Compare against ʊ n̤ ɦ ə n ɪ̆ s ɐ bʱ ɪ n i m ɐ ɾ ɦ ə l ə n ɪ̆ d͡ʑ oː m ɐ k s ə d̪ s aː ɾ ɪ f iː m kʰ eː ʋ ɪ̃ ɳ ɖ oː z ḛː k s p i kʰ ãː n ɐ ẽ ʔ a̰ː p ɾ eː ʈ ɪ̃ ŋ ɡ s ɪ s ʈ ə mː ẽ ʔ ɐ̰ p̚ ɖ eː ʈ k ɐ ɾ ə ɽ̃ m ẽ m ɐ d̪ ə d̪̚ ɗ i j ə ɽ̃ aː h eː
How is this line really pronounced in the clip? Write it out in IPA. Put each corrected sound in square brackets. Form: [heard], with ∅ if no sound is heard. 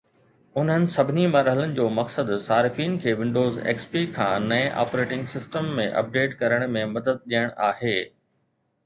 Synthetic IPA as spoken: ʊ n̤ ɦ ə n ɪ̆ s ɐ bʱ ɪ n i m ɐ ɾ ɦ ə l ə n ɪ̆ d͡ʑ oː m ɐ k s ə d̪ s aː ɾ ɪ f iː [n] kʰ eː ʋ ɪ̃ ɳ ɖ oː z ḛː k s p i kʰ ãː n ɐ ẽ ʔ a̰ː p ɾ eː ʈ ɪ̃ ŋ ɡ s ɪ s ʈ ə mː ẽ ʔ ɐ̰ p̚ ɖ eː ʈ k ɐ ɾ ə ɽ̃ m ẽ m ɐ d̪ ə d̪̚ ɗ i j ə ɽ̃ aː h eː